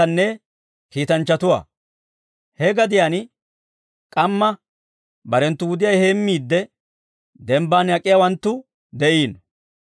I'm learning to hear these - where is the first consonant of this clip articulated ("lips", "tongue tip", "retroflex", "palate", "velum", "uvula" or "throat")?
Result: tongue tip